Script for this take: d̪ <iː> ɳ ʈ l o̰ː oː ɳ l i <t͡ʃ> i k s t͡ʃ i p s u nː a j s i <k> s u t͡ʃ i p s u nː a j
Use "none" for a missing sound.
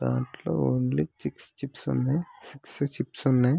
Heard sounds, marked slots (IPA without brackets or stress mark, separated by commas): aː, t͡ʃ, k